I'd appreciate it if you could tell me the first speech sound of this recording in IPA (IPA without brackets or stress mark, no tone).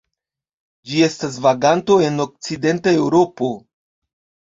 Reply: d͡ʒ